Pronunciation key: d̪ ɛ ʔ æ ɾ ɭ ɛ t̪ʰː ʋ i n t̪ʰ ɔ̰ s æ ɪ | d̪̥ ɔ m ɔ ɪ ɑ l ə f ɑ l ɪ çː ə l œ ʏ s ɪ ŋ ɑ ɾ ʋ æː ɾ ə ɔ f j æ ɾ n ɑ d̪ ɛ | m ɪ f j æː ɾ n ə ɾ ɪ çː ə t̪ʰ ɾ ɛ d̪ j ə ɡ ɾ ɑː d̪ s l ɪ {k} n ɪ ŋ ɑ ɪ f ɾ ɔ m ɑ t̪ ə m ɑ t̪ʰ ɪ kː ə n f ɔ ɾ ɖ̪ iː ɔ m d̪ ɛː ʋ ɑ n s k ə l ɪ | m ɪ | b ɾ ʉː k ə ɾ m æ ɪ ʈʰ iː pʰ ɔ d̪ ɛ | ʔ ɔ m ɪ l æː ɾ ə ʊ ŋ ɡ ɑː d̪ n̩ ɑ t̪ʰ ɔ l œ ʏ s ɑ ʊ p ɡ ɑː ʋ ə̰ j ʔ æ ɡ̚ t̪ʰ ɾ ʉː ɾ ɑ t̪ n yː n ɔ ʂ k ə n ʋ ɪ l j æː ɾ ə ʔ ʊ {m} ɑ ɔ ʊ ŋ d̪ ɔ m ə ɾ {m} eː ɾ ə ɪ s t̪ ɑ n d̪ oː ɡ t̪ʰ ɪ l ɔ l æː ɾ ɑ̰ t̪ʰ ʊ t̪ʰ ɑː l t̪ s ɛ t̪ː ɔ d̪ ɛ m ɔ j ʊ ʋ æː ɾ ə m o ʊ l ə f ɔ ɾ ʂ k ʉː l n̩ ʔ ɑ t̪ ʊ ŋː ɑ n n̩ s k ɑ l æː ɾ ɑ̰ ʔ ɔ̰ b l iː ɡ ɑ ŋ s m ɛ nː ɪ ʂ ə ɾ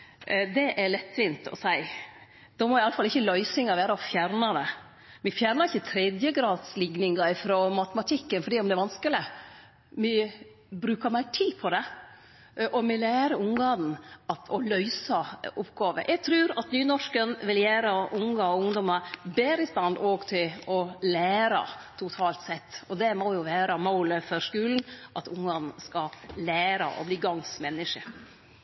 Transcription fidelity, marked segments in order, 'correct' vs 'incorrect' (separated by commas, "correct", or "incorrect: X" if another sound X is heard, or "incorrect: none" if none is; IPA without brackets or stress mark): incorrect: ɡ, incorrect: ŋ, incorrect: b